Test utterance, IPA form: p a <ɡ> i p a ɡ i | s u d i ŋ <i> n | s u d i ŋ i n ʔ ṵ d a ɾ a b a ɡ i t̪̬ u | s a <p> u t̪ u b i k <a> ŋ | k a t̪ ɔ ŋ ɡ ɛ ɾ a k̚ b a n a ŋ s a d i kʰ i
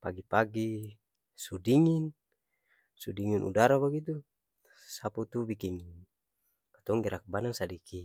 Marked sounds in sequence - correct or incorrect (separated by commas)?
correct, correct, correct, incorrect